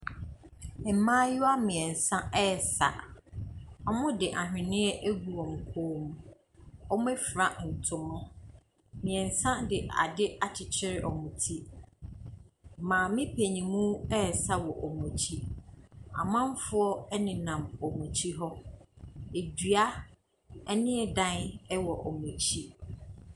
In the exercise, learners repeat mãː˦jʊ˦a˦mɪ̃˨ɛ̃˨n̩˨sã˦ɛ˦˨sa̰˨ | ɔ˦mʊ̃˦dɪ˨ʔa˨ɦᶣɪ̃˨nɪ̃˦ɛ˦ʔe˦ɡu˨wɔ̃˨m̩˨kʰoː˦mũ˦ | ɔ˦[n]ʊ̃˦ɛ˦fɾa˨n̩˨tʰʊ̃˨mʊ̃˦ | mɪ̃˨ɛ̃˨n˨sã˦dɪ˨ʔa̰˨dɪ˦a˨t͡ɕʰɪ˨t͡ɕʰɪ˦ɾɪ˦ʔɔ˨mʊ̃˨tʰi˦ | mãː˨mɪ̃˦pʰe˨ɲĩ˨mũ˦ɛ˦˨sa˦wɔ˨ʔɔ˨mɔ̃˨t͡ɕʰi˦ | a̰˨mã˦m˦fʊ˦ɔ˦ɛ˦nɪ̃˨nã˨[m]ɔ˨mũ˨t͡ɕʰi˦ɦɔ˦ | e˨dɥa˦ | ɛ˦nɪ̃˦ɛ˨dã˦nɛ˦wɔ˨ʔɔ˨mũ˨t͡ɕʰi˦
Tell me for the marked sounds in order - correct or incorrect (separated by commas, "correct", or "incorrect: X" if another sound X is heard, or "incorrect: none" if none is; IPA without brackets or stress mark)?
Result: incorrect: m, correct